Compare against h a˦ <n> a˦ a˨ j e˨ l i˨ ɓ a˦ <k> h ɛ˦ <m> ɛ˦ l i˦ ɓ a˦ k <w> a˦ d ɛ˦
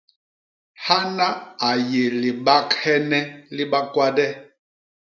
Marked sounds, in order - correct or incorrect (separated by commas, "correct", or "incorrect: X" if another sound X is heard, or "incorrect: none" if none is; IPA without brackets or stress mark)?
correct, correct, incorrect: n, correct